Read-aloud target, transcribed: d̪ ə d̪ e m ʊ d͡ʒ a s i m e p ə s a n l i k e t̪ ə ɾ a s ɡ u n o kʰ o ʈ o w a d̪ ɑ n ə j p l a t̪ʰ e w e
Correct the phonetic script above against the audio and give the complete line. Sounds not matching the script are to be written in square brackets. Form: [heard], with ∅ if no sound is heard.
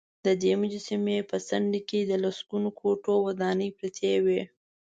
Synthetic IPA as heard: d̪ ə d̪ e m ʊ d͡ʒ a s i m e p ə s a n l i k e [d̪] ə [l] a s ɡ u n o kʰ o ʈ o w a d̪ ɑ n ə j p [ɾ] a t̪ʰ e w e